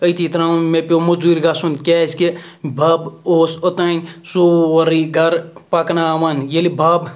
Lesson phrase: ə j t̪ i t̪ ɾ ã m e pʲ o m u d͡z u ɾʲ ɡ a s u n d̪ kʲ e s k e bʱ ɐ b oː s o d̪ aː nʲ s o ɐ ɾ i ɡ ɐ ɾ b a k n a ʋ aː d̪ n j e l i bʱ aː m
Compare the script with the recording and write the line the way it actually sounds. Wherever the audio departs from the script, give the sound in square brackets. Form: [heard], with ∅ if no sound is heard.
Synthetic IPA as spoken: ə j t̪ i t̪ ɾ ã m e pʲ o m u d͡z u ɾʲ ɡ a s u n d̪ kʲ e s k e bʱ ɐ b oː s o [t̪] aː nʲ s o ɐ ɾ i ɡ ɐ ɾ [p] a k n a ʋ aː [∅] n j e l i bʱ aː [b]